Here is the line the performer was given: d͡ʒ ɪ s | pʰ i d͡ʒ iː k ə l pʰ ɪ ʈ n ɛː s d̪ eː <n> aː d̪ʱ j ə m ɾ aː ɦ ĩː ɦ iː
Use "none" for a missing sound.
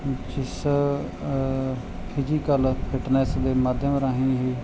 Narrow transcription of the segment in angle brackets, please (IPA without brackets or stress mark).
m